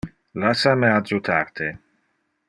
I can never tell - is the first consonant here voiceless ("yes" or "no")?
no